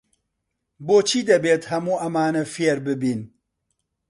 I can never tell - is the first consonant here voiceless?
no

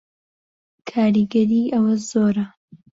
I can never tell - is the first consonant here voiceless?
yes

